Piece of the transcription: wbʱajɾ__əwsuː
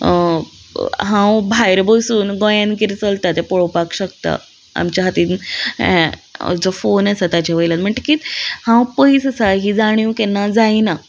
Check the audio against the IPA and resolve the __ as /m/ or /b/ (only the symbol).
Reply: b